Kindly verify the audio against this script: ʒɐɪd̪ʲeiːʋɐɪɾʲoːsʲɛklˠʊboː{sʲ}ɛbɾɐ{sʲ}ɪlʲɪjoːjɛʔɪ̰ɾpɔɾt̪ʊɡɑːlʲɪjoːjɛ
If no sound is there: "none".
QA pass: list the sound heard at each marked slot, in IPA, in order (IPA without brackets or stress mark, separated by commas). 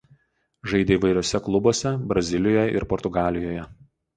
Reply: sʲ, zʲ